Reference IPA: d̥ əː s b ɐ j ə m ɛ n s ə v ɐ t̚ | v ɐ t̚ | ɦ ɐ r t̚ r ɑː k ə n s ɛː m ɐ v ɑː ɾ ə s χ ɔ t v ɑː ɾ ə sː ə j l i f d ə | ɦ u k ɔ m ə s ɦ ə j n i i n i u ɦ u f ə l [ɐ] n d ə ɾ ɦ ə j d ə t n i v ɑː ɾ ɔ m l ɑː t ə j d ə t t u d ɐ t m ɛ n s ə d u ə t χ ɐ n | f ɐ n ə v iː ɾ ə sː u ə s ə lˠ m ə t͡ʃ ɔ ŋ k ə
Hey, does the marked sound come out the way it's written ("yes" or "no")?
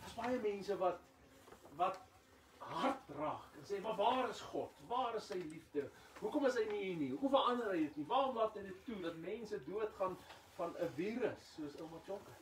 yes